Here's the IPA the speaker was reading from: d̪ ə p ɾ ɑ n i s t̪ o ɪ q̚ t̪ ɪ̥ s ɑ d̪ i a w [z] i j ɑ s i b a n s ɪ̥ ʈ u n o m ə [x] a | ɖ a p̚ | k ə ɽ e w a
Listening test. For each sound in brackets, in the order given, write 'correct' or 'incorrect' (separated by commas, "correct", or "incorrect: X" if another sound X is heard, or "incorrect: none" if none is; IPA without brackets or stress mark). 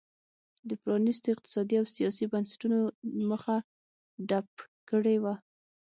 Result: incorrect: s, correct